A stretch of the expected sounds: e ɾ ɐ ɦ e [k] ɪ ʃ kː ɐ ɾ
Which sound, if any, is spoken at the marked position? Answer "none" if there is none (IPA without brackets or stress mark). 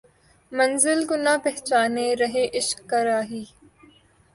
ʔ